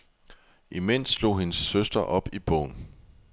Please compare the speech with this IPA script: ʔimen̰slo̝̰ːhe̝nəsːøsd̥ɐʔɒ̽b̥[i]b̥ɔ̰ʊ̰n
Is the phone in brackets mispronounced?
no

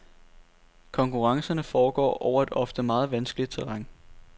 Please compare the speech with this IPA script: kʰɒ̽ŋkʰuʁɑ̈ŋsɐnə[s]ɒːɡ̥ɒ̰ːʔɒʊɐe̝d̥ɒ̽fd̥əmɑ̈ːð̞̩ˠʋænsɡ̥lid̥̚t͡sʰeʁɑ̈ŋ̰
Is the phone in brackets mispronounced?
yes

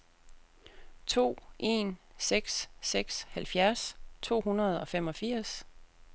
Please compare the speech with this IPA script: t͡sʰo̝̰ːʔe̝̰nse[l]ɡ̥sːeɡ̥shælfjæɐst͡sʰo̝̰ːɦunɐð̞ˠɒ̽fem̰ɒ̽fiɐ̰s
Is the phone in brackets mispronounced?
yes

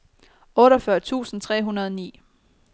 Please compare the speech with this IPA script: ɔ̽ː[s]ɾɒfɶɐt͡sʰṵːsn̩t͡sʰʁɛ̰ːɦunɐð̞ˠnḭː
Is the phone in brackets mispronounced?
yes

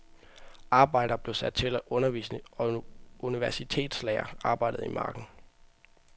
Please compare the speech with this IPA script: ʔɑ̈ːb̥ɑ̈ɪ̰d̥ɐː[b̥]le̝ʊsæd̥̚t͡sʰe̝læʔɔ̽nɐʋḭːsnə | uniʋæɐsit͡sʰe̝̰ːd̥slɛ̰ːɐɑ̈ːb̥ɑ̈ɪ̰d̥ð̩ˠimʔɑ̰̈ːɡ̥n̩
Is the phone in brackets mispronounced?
no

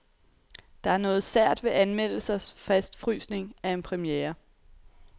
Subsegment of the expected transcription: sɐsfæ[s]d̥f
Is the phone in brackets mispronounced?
no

